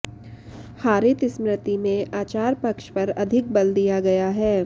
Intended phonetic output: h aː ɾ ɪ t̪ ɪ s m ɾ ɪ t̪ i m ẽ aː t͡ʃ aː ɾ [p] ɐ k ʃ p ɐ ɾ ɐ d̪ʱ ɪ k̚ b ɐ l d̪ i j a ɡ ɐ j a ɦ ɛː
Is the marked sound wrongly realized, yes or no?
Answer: no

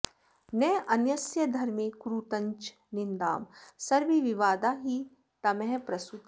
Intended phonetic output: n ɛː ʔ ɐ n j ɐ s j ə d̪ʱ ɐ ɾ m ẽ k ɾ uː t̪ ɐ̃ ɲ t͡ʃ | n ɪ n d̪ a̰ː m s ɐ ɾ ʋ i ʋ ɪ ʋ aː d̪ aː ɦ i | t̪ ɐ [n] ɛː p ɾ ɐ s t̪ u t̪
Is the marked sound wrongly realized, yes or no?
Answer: yes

